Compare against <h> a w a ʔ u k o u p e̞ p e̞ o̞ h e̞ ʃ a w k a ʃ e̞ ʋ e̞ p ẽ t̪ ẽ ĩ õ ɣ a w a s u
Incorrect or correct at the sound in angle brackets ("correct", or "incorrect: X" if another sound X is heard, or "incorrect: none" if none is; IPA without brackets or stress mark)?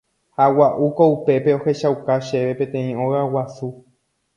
correct